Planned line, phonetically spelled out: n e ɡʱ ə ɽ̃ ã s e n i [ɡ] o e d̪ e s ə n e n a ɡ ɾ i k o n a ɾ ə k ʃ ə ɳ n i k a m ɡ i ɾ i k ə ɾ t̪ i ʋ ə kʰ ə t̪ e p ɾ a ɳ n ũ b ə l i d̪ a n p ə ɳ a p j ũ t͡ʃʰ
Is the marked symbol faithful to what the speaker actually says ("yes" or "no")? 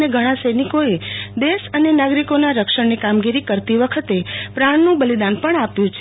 no